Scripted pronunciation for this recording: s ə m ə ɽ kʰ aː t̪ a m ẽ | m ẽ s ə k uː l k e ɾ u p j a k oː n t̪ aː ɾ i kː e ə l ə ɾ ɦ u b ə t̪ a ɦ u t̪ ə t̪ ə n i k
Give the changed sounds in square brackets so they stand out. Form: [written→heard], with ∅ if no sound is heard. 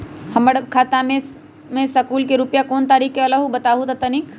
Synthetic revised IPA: [s→h] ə m ə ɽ kʰ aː t̪ a m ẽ | m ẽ s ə k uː l k e ɾ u p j a k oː n t̪ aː ɾ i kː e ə l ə [ɾ→∅] ɦ u b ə t̪ a ɦ u t̪ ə t̪ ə n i k

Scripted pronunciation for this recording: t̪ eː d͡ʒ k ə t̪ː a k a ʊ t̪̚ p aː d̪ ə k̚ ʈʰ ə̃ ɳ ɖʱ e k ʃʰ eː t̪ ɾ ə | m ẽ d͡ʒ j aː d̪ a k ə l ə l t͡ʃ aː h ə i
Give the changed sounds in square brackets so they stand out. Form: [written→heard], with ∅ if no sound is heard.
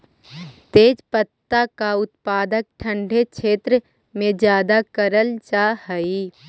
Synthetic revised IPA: t̪ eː d͡ʒ [k→p] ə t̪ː a k a ʊ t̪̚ p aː d̪ ə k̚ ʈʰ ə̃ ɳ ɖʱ e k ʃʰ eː t̪ ɾ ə | m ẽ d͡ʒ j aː d̪ a k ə [l→ɾ] ə l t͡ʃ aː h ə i

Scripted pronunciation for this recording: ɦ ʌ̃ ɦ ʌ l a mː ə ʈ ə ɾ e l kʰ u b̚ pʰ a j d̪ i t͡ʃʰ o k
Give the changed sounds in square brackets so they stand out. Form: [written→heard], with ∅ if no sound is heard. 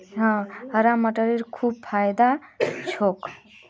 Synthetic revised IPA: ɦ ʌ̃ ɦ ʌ [l→ɾ] a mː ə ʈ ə ɾ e [l→ɾ] kʰ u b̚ pʰ a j d̪ [i→a] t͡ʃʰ o k

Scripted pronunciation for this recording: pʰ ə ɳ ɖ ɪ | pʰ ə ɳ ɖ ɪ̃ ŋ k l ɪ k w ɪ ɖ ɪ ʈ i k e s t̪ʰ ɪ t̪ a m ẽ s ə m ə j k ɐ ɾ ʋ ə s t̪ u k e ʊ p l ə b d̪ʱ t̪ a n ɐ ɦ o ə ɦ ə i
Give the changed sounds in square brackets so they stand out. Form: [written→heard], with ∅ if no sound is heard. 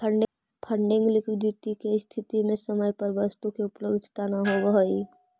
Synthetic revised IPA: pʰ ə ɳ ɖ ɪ | pʰ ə ɳ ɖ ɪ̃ ŋ [k→ɡ] l ɪ k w ɪ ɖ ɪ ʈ i k e s t̪ʰ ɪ t̪ [a→i] m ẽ s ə m ə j [k→p] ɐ ɾ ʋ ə s t̪ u k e ʊ p l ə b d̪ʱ t̪ a n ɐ ɦ o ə ɦ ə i

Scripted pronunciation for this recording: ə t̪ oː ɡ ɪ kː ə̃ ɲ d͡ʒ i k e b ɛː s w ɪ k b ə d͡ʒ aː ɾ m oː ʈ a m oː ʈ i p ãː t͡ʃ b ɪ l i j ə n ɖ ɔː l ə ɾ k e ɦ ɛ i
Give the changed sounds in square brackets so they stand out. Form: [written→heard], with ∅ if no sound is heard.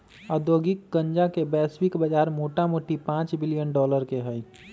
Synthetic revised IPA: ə [t̪→d̪] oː ɡ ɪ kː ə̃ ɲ d͡ʒ [i→a] k e b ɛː s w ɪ k b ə d͡ʒ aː ɾ m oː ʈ a m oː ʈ i p ãː t͡ʃ b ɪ l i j ə n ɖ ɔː l ə ɾ k e ɦ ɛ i

